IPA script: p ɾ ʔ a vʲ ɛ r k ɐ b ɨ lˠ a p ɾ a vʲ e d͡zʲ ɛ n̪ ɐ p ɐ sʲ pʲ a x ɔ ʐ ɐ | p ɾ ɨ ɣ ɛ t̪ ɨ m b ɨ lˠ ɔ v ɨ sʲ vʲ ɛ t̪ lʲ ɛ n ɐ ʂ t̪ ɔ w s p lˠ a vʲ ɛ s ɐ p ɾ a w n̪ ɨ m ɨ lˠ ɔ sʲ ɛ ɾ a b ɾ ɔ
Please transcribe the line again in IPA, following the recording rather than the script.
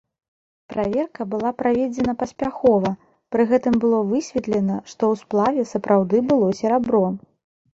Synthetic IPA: p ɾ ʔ a vʲ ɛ r k ɐ b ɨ lˠ a p ɾ a vʲ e d͡zʲ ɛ n̪ ɐ p ɐ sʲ pʲ a x ɔ v ɐ | p ɾ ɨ ɣ ɛ t̪ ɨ m b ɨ lˠ ɔ v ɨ sʲ vʲ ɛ t̪ lʲ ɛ n ɐ ʂ t̪ ɔ w s p lˠ a vʲ ɛ s ɐ p ɾ a w d̪ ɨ b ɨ lˠ ɔ sʲ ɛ ɾ a b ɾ ɔ